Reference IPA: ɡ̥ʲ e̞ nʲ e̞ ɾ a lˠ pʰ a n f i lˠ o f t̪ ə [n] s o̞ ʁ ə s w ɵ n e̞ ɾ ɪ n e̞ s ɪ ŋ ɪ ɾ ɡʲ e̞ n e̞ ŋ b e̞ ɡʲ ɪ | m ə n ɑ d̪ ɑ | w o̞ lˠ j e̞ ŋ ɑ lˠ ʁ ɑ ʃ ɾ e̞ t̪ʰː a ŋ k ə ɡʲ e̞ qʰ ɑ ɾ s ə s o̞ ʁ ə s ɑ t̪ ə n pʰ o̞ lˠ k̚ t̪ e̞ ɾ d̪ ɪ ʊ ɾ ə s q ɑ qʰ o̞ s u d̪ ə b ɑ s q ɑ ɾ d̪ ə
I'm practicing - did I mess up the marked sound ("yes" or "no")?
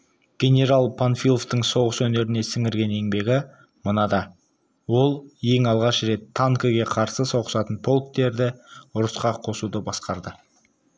yes